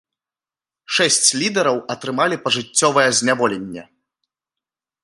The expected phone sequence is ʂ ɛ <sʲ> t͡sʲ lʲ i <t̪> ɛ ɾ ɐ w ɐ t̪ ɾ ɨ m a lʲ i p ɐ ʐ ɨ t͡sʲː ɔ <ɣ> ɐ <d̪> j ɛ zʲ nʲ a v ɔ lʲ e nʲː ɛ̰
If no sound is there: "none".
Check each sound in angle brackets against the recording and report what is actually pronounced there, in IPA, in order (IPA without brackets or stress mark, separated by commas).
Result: sʲ, d̪, v, none